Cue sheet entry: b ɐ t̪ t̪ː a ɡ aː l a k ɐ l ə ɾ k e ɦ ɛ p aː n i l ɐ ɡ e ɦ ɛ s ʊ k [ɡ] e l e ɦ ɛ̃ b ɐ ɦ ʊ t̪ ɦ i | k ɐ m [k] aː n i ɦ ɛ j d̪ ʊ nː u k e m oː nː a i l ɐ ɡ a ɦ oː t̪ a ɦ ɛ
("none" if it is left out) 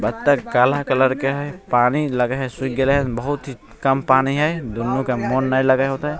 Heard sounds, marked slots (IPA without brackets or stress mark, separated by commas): ɡ, p